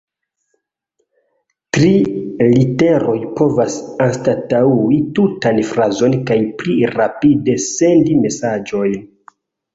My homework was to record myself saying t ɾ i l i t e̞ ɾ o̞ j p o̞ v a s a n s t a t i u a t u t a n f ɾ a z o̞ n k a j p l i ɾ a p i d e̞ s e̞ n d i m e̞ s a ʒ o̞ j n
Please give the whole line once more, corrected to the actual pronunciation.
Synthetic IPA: t ɾ i l i t e̞ ɾ o̞ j p o̞ v a s a n s t a t a u i t u t a n f ɾ a z o̞ n k a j p l i ɾ a p i d e̞ s e̞ n d i m e̞ s a d͡ʒ o̞ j n